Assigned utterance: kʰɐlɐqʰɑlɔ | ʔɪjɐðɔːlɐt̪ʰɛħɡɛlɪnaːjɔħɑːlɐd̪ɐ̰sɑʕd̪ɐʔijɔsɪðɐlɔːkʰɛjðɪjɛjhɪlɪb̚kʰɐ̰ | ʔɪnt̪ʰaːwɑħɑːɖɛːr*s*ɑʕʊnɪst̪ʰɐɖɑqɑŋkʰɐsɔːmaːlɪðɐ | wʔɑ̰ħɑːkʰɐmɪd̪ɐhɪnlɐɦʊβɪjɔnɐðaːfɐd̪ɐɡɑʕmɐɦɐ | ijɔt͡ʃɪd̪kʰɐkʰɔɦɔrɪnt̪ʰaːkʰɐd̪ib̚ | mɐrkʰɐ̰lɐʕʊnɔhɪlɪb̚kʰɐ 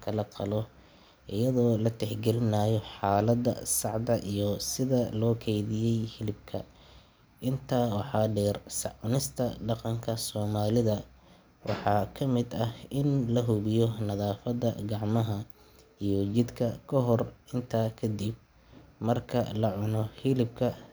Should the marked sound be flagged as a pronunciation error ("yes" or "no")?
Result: no